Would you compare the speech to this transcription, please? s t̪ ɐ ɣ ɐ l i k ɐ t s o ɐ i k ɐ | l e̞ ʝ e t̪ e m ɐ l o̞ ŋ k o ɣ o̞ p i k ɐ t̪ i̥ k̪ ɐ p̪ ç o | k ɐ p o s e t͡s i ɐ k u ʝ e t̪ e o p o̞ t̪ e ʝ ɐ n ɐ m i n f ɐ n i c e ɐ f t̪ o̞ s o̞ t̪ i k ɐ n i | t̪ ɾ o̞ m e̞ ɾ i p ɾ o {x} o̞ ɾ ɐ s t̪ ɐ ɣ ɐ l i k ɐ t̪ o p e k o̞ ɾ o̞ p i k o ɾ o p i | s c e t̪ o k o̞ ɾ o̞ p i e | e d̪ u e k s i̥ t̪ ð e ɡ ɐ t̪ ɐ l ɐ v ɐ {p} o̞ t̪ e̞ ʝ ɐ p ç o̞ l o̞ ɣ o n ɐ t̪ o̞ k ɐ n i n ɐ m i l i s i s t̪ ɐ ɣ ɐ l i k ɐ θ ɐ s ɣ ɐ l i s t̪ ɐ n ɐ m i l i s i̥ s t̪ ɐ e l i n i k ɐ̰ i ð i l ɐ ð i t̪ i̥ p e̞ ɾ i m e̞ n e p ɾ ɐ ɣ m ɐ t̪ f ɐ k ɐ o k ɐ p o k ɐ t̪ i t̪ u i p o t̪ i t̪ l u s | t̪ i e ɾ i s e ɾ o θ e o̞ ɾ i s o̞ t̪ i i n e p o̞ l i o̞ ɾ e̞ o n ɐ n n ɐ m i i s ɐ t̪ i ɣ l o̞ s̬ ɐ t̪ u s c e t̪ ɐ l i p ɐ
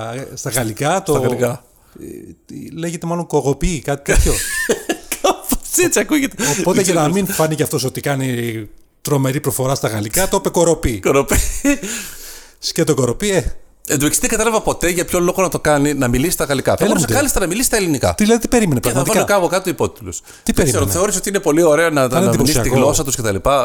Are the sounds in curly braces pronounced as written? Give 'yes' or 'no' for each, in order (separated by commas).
no, yes